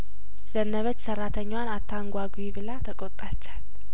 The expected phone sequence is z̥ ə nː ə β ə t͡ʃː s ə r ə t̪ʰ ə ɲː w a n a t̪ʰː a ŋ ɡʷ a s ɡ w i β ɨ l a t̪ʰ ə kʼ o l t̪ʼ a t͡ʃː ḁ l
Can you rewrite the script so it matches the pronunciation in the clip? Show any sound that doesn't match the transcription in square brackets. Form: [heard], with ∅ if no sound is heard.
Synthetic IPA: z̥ ə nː ə β ə t͡ʃː s ə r [a] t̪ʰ ə ɲː w a n a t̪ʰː a ŋ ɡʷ a [∅] ɡ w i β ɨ l a t̪ʰ ə kʼ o [∅] t̪ʼ a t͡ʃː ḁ l